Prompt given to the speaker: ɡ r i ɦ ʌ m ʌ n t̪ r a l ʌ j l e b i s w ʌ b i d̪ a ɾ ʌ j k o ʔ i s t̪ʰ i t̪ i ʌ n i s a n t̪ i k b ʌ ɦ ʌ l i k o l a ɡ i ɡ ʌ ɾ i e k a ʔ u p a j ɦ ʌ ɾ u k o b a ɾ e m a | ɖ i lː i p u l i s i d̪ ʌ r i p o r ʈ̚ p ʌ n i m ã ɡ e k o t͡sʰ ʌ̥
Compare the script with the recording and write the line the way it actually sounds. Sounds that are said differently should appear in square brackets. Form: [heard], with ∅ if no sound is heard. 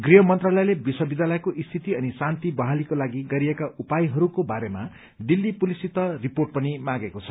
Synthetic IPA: ɡ r i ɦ ʌ m ʌ n t̪ r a l ʌ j l e b i s w ʌ b i d̪ a [l] ʌ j k o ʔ i s t̪ʰ i t̪ i ʌ n i s a n t̪ i [∅] b ʌ ɦ [a] l i k o l a ɡ i ɡ ʌ ɾ i e k a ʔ u p a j ɦ ʌ ɾ u k o b a ɾ e m a | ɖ i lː i p u l i s i [t̪] ʌ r i p o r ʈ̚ p ʌ n i m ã ɡ e k o t͡sʰ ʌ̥